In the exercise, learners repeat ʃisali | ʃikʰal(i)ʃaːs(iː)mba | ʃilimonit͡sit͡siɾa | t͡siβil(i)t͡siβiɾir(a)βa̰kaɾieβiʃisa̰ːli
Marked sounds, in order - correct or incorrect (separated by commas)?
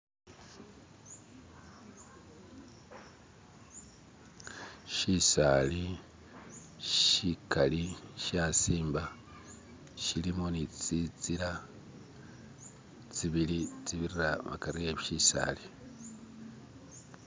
correct, correct, correct, correct